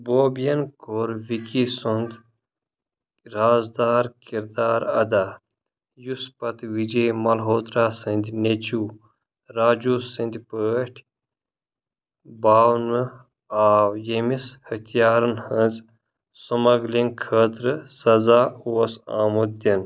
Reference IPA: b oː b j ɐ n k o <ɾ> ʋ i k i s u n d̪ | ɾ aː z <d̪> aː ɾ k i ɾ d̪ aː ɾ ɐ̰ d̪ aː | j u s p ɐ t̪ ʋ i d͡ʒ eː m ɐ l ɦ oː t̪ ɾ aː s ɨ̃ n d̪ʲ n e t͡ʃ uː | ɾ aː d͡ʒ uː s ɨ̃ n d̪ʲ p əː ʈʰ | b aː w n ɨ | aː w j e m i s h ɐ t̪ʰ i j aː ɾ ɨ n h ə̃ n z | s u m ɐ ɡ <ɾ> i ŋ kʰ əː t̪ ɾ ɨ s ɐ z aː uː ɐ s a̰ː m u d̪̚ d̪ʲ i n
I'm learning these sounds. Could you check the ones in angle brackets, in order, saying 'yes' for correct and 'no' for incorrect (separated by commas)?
yes, yes, no